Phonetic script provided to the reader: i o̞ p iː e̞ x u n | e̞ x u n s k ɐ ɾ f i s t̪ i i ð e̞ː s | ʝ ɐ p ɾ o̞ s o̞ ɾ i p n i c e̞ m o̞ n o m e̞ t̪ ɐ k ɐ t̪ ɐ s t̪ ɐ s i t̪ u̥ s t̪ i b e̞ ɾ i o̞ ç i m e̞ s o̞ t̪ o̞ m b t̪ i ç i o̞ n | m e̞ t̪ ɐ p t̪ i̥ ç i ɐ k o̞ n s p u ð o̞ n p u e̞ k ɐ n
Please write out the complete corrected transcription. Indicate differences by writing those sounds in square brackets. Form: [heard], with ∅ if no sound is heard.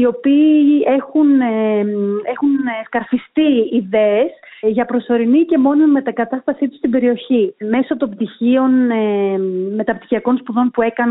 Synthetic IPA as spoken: i o̞ p iː e̞ x u n | e̞ x u n s k ɐ ɾ f i s t̪ i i ð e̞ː s | ʝ ɐ p ɾ o̞ s o̞ ɾ i [∅] n i c e̞ m o̞ n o m e̞ t̪ ɐ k ɐ t̪ ɐ s t̪ ɐ s i t̪ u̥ s t̪ i b e̞ ɾ i o̞ ç i m e̞ s o̞ t̪ o̞ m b t̪ i ç i o̞ n | m e̞ t̪ ɐ p t̪ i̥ ç i ɐ k o̞ n s p u ð o̞ n p u e̞ k ɐ n